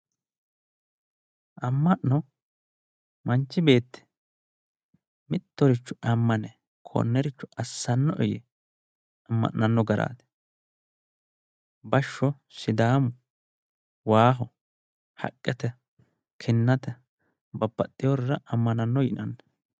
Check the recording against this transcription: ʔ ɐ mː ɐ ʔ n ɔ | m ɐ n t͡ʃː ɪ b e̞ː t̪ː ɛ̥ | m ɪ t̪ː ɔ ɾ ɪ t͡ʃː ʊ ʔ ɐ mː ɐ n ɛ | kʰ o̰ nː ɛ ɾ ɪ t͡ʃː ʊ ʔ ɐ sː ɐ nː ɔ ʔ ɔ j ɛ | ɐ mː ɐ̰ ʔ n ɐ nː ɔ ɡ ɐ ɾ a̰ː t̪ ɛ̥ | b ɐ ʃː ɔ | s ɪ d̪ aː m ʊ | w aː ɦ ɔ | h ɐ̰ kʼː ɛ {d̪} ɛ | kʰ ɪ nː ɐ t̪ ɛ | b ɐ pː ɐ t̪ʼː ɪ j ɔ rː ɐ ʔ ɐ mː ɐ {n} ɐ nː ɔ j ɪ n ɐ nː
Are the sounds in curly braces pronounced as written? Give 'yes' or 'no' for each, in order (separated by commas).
no, yes